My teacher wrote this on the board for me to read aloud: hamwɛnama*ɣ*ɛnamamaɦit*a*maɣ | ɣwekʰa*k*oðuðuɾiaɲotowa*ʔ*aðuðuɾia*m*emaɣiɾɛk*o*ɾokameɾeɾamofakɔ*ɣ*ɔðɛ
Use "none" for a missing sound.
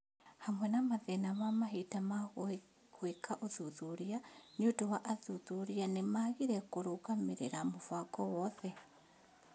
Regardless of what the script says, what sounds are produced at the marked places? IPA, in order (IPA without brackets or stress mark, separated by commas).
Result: ð, a, ʔ, ʔ, n, o, w